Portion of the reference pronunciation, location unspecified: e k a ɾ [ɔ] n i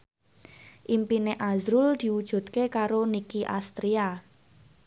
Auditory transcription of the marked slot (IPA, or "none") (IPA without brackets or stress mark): o